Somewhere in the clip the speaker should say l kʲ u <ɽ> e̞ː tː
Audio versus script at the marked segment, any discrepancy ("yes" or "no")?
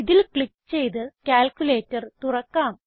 yes